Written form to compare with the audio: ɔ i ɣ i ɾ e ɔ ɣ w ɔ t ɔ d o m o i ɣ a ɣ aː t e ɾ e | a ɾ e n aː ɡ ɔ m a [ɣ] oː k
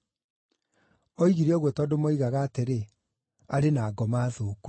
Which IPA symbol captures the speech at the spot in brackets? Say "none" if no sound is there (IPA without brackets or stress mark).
ð